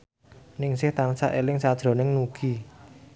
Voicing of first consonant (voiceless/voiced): voiced